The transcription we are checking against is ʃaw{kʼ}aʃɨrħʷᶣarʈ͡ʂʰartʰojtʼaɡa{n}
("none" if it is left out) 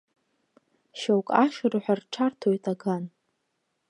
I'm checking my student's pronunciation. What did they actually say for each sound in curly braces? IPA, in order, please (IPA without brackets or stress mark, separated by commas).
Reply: kʼ, n